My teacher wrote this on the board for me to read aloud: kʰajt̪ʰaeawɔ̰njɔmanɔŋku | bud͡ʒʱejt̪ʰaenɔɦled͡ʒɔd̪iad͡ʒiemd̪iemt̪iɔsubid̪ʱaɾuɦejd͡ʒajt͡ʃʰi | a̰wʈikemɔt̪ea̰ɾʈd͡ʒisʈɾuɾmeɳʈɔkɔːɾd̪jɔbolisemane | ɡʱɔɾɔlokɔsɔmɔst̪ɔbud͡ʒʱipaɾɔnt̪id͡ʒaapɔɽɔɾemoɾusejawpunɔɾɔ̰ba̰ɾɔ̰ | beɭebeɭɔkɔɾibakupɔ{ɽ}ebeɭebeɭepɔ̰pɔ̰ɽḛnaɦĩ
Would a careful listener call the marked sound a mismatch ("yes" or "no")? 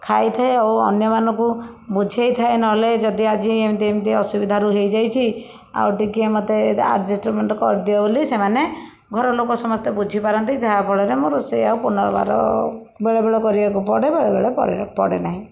no